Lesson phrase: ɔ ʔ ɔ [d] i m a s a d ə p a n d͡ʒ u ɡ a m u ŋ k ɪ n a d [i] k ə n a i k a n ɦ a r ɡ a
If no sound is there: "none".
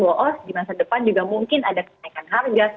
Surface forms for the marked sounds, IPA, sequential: d, a

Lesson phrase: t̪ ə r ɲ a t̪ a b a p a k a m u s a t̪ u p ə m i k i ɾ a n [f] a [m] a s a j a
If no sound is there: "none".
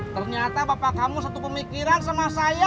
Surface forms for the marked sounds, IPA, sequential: s, m

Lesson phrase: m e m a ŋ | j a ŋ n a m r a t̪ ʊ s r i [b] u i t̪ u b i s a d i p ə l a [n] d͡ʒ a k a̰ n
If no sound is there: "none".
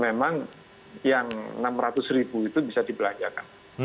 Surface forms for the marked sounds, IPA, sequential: b, ɲ

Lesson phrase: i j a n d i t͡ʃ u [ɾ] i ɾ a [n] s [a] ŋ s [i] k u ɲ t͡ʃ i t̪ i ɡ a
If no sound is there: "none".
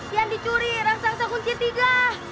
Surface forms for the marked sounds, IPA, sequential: ɾ, ŋ, a, a

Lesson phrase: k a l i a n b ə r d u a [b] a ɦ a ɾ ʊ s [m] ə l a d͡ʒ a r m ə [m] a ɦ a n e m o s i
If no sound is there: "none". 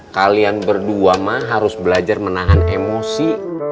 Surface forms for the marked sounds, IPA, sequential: m, b, n

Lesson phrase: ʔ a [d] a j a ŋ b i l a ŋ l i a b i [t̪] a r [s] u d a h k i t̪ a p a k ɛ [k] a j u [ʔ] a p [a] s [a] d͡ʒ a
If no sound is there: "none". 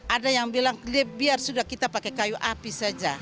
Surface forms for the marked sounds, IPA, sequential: d, none, s, k, ʔ, i, a

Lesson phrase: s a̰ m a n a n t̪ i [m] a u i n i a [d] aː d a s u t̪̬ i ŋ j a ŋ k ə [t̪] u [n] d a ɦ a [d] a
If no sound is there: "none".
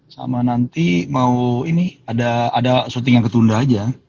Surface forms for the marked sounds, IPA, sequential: m, d, t̪, n, d͡ʒ

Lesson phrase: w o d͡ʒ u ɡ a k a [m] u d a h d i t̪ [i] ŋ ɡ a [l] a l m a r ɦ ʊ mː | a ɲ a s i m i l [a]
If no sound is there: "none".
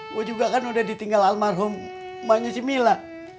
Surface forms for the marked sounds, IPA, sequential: n, i, l, a

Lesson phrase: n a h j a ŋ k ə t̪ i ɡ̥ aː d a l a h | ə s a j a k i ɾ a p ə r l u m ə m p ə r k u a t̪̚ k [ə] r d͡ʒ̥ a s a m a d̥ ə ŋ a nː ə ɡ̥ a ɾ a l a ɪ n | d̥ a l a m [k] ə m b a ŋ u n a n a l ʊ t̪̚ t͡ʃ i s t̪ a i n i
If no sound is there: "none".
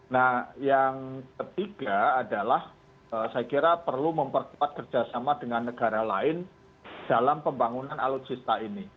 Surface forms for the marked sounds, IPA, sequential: ə, p

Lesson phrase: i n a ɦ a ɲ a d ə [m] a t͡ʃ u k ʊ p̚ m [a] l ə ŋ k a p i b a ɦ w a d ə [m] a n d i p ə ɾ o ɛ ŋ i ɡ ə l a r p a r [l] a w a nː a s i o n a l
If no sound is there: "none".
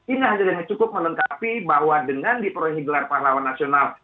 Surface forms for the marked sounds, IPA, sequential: ŋ, ə, ŋ, l

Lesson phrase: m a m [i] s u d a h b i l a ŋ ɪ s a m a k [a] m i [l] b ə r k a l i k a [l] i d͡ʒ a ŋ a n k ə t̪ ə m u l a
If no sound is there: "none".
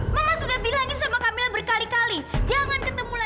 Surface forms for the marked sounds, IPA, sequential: a, a, l, l

